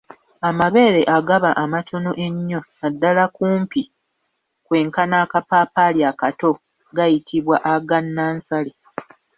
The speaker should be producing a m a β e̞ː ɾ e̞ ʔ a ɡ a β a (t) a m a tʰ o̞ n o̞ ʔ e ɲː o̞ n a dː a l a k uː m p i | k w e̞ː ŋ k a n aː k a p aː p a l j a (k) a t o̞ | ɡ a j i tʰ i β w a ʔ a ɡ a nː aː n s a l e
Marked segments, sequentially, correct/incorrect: incorrect, correct

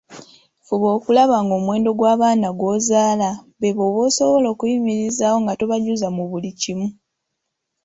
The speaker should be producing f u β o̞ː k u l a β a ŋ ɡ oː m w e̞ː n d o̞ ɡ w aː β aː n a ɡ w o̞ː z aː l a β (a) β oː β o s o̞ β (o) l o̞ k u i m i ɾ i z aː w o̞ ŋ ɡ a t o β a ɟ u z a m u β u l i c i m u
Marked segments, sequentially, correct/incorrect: incorrect, correct

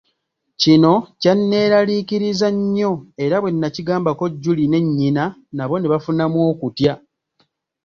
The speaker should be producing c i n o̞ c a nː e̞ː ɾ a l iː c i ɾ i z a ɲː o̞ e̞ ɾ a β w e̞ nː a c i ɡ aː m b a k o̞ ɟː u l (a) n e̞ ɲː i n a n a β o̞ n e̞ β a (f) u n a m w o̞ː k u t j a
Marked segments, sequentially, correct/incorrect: incorrect, correct

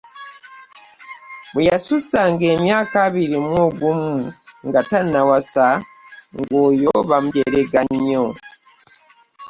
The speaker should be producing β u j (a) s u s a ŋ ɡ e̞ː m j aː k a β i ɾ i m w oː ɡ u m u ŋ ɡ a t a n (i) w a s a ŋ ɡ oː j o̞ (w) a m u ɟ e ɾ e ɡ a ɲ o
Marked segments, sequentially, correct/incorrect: correct, incorrect, incorrect

